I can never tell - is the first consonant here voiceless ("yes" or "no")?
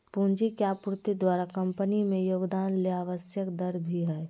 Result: yes